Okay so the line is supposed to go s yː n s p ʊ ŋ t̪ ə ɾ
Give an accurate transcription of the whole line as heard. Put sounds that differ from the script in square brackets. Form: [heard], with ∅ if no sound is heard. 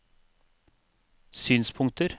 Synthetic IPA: s yː n s [pʰ] ʊ ŋ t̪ ə ɾ